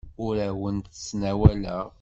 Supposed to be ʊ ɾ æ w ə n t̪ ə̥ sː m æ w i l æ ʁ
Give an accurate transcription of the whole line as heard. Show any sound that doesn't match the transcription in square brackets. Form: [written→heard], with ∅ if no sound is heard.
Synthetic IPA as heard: ʊ ɾ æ w ə n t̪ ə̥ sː [m→n] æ w [i→æ] l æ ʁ